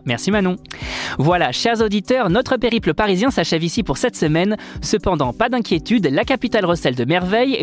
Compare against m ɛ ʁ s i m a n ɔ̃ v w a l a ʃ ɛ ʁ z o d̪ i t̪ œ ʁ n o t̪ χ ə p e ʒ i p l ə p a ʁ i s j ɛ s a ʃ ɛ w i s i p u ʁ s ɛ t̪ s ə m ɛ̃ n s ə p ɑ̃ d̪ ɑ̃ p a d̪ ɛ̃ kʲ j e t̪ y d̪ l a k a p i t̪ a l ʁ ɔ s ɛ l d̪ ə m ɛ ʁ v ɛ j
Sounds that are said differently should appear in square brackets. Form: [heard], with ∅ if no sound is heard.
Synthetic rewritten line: m ɛ ʁ s i m a n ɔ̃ v w a l a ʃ ɛ ʁ z o d̪ i t̪ œ ʁ n [ɔ] t̪ χ ə p e [ʁ] i p l ə p a ʁ i [z] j [ɛ̃] s a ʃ ɛ [v] i s i p u ʁ s ɛ t̪ s ə m [ɛ] n s ə p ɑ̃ d̪ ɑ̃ p a d̪ ɛ̃ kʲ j e t̪ y d̪ l a k a p i t̪ a l ʁ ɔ s ɛ l d̪ ə m ɛ ʁ v ɛ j